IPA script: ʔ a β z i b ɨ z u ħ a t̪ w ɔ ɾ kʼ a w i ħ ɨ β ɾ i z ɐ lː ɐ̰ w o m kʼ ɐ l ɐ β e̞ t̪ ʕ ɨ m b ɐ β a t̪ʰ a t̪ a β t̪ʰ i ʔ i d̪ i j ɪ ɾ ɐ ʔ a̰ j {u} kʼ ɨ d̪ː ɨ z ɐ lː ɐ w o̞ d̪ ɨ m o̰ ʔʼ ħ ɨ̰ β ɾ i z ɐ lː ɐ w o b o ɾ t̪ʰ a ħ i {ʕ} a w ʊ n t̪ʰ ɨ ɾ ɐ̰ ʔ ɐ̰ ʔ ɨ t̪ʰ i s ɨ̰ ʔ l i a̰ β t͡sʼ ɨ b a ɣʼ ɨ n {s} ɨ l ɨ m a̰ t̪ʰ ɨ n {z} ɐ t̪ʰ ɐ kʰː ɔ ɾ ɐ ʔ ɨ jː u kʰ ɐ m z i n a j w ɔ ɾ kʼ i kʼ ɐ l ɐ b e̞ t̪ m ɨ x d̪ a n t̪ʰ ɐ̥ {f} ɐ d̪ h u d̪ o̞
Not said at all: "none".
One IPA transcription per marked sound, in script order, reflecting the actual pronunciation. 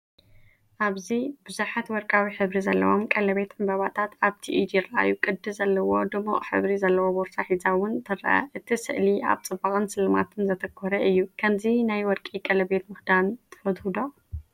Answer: u, z, s, z, f

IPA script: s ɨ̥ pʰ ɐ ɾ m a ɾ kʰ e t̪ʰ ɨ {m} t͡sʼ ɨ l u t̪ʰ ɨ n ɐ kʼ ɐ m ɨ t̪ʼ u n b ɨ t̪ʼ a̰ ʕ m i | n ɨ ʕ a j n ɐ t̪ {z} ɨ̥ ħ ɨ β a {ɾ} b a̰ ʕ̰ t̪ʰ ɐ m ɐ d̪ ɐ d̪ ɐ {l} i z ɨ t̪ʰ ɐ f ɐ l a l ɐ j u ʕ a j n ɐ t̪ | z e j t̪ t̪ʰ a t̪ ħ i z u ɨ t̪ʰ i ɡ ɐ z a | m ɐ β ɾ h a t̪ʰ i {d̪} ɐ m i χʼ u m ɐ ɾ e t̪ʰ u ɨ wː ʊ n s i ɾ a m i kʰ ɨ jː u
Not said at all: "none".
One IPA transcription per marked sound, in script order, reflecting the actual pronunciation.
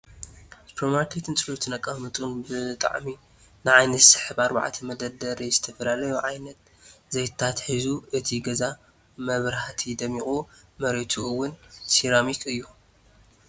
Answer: n, s, ɾ, ɾ, d̪

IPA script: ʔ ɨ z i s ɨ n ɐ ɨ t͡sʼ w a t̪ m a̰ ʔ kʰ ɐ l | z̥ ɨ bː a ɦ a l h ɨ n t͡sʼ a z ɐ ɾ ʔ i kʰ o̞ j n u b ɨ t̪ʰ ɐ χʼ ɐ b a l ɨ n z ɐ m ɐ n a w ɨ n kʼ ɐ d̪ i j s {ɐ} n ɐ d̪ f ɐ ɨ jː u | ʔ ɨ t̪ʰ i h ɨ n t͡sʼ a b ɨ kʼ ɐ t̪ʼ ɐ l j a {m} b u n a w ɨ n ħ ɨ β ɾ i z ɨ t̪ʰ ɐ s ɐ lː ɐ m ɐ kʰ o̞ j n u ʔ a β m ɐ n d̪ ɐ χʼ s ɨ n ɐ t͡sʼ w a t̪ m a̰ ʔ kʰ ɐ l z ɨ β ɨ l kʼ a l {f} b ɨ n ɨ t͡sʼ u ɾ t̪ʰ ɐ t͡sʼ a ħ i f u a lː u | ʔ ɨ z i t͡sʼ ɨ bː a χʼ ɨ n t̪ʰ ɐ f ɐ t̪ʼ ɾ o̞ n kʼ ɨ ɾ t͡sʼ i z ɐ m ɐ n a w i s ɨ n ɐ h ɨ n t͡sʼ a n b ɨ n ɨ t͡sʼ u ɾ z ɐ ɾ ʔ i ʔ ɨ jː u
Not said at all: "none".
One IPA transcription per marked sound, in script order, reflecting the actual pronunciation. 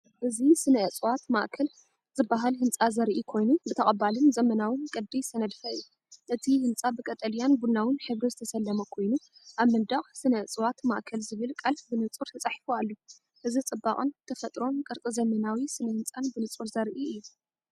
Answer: ɐ, n, f

